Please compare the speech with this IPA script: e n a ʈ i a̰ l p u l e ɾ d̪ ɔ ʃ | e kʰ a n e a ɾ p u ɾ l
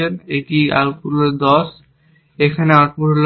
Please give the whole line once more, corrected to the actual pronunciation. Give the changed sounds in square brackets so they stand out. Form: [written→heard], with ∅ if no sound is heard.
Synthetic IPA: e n [a→e] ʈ i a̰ l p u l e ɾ d̪ ɔ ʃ | e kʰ a n e a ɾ p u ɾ l